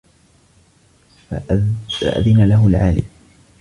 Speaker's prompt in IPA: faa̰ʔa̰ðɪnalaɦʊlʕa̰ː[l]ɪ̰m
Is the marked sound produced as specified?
yes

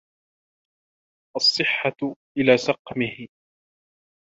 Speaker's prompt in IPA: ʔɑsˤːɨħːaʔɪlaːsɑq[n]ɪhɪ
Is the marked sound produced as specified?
no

